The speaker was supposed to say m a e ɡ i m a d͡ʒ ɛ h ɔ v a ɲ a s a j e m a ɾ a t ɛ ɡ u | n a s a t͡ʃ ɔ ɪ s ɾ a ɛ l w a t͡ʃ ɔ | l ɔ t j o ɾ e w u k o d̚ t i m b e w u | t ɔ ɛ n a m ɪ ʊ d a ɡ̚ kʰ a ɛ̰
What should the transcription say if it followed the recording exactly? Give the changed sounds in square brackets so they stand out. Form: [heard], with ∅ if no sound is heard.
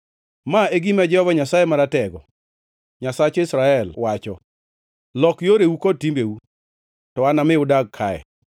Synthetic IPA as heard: m a e ɡ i m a d͡ʒ ɛ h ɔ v a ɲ a s a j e m a ɾ a t ɛ ɡ [ɔ] | [ɲ] a s a t͡ʃ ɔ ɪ s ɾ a ɛ l w a t͡ʃ ɔ | l ɔ [k] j o ɾ e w u k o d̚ t i m b e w u | t ɔ [a] n a m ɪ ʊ d a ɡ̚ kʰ a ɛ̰